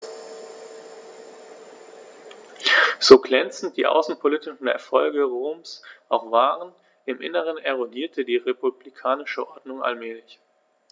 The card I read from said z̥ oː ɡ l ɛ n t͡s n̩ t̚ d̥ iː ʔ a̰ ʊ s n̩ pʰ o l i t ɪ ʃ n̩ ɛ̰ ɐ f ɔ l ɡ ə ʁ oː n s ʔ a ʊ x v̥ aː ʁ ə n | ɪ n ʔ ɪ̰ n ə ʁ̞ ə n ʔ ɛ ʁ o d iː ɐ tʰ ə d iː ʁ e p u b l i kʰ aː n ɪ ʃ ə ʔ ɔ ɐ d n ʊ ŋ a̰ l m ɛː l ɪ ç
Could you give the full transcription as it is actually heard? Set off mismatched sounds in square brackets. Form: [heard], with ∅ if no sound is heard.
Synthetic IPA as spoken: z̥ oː ɡ l ɛ n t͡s n̩ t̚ d̥ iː ʔ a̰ ʊ s n̩ pʰ o l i t ɪ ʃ n̩ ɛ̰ ɐ f ɔ l ɡ ə ʁ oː [m] s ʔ a ʊ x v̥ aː ʁ ə n | ɪ [m] ʔ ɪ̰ n ə ʁ̞ ə n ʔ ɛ ʁ o d iː ɐ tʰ ə d iː ʁ e p u b l i kʰ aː n ɪ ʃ ə ʔ ɔ ɐ d n ʊ ŋ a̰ l m ɛː l ɪ ç